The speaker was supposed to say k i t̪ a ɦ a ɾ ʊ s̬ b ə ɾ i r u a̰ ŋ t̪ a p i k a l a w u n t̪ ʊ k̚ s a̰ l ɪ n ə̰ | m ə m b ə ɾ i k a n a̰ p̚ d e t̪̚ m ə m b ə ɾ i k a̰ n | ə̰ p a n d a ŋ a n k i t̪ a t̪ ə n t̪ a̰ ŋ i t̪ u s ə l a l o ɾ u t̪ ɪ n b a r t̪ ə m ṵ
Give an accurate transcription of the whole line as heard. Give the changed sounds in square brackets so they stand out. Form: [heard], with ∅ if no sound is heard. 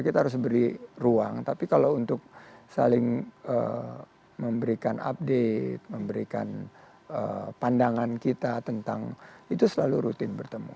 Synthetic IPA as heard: k i t̪ a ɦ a ɾ ʊ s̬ b ə ɾ i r u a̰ ŋ t̪ a p i k a l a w u n t̪ ʊ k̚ s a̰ l ɪ [ŋ] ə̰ | m ə m b ə ɾ i k a n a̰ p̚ d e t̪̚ m ə m b ə ɾ i k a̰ n | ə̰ p a n d a ŋ a n k i t̪ a t̪ ə n t̪ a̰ ŋ i t̪ u s ə l a l [u] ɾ u t̪ ɪ n b [ə] r t̪ ə m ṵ